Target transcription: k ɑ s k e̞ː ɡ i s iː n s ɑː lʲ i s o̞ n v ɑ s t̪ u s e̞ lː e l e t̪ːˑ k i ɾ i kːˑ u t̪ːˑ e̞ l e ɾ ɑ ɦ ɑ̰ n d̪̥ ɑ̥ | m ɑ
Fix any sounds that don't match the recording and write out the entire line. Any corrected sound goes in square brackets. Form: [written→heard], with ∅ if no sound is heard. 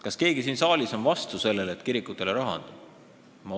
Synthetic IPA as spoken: k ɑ s k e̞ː ɡ i s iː n s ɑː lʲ i s o̞ n v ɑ s t̪ u s e̞ lː e l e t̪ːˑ k i ɾ i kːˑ u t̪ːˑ e̞ l e ɾ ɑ ɦ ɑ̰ n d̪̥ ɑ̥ | m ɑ